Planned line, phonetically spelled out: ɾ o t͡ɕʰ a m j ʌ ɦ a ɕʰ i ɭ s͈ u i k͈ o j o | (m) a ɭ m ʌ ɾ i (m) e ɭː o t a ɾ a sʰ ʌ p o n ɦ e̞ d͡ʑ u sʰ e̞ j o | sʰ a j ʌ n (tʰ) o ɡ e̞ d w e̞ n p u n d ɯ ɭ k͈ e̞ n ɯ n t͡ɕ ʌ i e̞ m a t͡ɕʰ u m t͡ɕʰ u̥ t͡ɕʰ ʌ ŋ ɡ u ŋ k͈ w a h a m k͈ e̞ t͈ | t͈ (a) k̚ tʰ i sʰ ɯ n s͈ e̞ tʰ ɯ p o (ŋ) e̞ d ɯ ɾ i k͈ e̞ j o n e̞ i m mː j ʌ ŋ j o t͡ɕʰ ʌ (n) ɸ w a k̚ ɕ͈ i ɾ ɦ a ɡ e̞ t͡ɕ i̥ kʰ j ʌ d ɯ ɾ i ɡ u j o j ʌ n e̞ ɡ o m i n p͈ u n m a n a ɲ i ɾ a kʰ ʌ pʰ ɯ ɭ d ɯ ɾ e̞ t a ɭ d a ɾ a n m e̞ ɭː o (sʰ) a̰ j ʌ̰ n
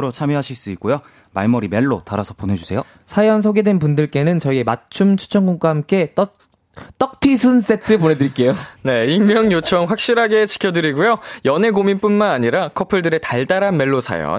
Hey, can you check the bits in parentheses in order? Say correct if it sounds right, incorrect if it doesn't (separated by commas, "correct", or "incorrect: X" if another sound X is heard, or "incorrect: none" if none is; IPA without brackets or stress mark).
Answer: correct, correct, incorrect: sʰ, incorrect: ʌ, incorrect: n, incorrect: ŋ, correct